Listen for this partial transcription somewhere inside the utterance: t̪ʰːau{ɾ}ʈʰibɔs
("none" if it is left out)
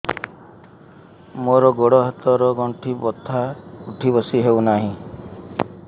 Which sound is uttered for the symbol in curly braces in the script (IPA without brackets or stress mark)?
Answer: none